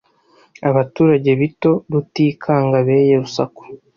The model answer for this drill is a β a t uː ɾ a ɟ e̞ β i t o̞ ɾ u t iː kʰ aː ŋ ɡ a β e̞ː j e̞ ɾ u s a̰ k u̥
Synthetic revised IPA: a β a t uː ɾ a ɟ e̞ β i t o̞ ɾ u t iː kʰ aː ŋ ɡ a β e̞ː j e̞ ɾ u s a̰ k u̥